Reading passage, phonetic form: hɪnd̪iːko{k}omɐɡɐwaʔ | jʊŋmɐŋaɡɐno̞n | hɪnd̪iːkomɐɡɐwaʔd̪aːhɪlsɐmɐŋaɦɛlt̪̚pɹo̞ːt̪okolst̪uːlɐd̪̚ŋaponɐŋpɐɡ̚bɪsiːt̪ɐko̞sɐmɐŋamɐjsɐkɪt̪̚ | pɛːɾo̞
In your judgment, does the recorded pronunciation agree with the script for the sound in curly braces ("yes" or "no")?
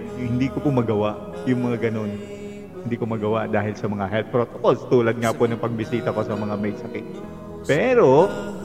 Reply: no